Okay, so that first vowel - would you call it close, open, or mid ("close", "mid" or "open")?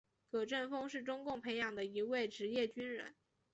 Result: mid